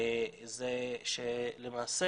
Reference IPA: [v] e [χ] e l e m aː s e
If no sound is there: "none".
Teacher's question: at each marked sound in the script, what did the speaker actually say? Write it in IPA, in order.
z, ʃ

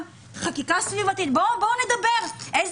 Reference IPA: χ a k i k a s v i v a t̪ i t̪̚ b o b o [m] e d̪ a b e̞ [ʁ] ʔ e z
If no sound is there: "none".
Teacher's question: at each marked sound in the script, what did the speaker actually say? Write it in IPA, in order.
n, ʁ

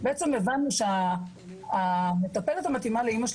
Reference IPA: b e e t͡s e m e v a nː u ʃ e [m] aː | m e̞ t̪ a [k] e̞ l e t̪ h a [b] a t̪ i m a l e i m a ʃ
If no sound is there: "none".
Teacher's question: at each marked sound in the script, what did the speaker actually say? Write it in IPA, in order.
none, p, m

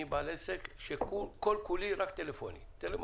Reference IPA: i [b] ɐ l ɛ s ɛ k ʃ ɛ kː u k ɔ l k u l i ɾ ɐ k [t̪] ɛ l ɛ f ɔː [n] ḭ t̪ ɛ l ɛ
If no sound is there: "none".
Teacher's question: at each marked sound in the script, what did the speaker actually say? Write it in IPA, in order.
b, t̪, n

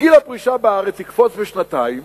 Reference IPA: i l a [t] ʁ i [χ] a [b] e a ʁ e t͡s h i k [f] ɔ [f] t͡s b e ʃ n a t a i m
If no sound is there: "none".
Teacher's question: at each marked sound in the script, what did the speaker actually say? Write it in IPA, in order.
p, ʃ, b, f, none

